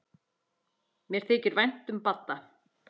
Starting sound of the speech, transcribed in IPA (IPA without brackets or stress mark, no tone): m